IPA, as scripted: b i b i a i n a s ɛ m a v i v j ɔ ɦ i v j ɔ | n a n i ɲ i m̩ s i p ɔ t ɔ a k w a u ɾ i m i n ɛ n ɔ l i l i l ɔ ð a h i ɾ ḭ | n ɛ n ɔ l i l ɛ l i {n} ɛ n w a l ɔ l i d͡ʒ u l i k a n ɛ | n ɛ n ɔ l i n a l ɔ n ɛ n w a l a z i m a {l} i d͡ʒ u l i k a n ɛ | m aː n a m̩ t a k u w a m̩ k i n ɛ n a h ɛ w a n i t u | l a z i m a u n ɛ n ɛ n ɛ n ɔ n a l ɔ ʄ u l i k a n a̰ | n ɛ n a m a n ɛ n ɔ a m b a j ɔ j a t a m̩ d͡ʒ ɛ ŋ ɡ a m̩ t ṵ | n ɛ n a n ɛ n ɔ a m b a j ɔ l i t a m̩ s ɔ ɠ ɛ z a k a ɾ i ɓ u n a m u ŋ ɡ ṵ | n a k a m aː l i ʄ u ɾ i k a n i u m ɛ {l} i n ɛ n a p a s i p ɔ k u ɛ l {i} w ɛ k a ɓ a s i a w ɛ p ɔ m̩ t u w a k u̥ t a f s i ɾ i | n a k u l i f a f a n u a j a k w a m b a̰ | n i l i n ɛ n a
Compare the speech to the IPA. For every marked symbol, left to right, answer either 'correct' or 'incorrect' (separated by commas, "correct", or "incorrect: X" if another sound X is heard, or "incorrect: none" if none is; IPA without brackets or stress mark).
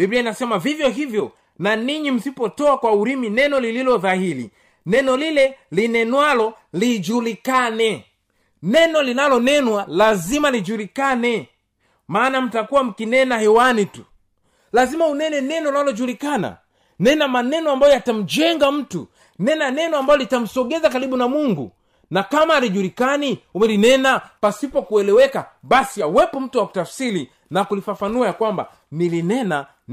correct, correct, correct, incorrect: ɛ